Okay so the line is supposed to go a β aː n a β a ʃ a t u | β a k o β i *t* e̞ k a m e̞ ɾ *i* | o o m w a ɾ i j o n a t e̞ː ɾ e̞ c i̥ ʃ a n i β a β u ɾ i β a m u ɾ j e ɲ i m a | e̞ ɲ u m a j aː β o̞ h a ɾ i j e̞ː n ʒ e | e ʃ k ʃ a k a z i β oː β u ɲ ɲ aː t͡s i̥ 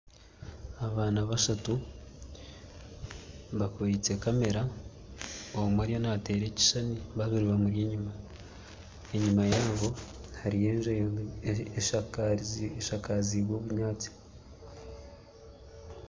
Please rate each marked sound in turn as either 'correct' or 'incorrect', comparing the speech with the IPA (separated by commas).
incorrect, incorrect